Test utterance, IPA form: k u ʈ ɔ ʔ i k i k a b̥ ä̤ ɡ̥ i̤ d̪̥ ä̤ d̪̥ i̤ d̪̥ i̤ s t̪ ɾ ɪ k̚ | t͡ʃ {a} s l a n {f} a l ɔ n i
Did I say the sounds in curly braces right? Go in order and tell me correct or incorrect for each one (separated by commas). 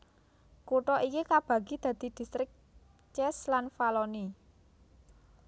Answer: incorrect, correct